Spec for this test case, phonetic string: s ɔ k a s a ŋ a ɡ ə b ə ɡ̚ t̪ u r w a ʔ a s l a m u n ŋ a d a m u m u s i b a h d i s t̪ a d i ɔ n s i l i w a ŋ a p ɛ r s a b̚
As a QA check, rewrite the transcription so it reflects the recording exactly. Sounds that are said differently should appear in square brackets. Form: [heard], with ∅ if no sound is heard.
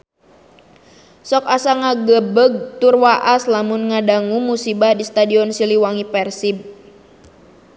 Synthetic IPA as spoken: s ɔ k a s a ŋ a ɡ ə b ə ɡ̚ t̪ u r w a ʔ a s l a m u n ŋ a d a [ŋ] u m u s i b a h d i s t̪ a d i ɔ n s i l i w a ŋ [i] p ɛ r s [i] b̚

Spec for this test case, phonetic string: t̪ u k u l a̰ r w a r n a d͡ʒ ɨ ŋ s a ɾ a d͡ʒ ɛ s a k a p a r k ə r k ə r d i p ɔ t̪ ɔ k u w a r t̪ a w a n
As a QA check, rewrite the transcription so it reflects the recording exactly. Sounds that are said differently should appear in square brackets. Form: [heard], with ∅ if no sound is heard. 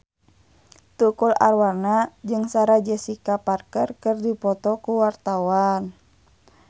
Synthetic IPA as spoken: t̪ u k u l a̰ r w a r n a d͡ʒ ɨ ŋ s a ɾ a d͡ʒ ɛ s [i] k a p a r k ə r k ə r d i p ɔ t̪ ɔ k u w a r t̪ a w a n

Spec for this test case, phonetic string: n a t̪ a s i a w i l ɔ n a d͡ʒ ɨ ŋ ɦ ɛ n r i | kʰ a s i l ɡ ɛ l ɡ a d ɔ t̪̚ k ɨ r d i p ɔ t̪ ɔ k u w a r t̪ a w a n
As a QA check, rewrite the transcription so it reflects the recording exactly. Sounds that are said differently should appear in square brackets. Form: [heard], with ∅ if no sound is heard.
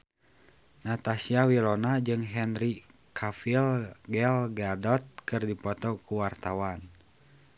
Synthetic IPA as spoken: n a t̪ a s i a w i l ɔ n a d͡ʒ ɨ ŋ ɦ ɛ n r i | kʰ a [f] i l ɡ ɛ l ɡ a d ɔ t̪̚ k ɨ r d i p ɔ t̪ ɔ k u w a r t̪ a w a n

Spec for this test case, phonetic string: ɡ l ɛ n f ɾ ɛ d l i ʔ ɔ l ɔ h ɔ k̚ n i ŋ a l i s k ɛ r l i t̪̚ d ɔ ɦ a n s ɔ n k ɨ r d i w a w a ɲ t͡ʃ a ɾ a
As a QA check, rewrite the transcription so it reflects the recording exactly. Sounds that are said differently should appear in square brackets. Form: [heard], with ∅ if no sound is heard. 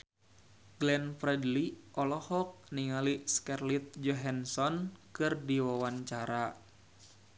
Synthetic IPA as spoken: ɡ l ɛ n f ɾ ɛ d l i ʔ ɔ l ɔ h ɔ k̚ n i ŋ a l i s k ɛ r l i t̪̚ [d͡ʒ] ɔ ɦ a n s ɔ n k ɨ r d i w a w a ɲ t͡ʃ a ɾ a

